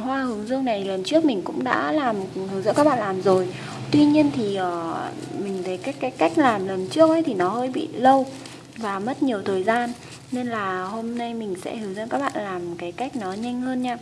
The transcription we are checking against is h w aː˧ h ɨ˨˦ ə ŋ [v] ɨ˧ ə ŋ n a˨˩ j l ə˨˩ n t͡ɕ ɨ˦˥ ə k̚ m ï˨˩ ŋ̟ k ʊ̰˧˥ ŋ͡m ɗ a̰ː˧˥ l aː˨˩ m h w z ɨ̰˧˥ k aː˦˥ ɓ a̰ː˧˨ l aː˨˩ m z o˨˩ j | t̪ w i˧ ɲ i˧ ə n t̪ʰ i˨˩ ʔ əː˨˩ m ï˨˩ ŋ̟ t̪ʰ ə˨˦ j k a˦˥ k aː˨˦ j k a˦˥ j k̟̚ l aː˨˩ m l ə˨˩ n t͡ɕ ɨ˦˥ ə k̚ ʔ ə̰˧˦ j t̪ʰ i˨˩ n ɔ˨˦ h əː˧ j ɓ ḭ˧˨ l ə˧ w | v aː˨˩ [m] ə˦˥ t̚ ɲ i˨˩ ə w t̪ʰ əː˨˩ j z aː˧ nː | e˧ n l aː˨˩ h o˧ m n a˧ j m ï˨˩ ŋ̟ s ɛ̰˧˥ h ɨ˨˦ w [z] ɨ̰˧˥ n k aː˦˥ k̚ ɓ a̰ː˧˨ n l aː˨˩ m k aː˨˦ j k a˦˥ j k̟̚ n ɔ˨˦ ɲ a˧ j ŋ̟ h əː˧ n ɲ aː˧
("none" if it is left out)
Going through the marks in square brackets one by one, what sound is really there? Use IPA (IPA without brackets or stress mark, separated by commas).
z, m, z